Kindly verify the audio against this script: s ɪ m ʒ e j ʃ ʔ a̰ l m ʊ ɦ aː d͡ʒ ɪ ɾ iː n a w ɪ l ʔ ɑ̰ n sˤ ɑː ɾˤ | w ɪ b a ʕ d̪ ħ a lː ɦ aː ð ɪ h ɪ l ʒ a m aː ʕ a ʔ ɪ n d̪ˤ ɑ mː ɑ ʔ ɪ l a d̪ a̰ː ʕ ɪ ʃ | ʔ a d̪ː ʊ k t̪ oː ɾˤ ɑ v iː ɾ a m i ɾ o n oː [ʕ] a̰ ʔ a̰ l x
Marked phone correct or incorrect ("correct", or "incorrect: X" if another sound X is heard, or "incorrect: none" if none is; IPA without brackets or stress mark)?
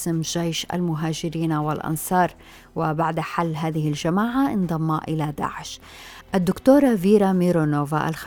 incorrect: v